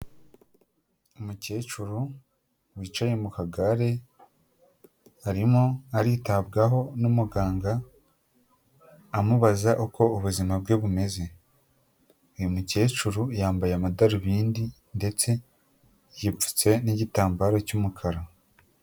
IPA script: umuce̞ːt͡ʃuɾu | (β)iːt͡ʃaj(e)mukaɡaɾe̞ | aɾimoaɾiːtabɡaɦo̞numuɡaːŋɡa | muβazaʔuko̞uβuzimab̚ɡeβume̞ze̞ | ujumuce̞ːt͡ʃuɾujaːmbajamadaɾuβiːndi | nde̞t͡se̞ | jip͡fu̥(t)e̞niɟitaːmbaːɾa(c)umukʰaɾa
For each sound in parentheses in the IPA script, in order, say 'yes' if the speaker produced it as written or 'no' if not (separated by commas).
no, yes, no, yes